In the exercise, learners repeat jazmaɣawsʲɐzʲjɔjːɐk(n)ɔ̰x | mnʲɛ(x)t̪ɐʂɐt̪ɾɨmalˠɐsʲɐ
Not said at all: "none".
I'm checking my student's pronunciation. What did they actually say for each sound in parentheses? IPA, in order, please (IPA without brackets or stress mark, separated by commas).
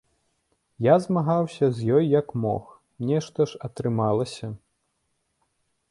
m, ʂ